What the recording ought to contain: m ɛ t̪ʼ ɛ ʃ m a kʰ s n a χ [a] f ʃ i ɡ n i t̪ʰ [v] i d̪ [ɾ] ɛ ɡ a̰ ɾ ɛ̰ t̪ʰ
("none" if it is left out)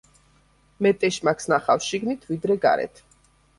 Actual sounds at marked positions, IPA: a, v, ɾ

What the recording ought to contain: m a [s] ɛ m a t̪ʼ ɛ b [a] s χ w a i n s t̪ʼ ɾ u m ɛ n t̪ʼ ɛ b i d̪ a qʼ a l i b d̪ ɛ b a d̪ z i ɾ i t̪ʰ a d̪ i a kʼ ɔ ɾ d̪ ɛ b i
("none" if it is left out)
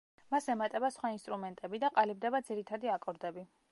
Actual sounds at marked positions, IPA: s, a

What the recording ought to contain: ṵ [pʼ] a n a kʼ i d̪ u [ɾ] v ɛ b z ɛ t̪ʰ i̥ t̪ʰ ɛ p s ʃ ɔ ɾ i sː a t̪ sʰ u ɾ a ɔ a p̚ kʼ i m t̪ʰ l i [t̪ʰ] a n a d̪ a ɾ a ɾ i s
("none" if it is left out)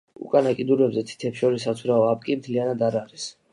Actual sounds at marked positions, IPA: kʼ, ɾ, none

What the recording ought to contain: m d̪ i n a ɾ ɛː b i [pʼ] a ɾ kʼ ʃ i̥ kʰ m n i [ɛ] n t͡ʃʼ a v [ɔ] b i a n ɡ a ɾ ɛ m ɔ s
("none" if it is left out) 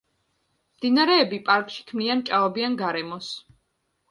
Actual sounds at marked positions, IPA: pʼ, a, ɔ

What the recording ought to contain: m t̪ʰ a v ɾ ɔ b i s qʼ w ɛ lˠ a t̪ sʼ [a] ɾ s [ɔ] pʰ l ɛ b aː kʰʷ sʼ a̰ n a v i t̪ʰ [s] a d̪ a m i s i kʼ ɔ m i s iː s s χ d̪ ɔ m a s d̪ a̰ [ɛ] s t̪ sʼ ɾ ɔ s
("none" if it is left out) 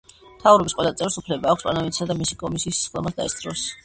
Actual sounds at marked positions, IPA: ɛ, u, s, ɛ

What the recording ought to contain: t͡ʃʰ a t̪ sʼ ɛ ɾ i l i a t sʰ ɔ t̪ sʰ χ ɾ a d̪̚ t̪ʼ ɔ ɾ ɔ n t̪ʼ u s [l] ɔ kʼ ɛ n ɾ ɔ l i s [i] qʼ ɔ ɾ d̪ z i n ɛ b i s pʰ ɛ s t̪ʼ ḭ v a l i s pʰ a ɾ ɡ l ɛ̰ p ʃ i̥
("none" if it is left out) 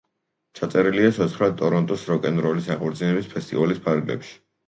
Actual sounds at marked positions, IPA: ɾ, a

